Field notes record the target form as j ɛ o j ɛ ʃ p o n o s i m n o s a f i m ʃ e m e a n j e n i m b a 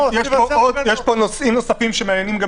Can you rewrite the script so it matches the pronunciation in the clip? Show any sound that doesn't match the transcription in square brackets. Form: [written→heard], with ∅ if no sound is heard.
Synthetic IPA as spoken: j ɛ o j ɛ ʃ p o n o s i m n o s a f i m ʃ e m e a n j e n i m [b→ɡ] a